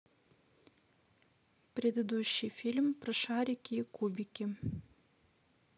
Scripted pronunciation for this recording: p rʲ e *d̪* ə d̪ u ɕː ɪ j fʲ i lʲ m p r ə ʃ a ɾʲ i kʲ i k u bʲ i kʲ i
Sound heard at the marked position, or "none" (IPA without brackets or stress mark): d̪